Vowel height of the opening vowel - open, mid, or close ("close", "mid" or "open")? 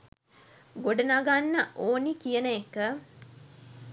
mid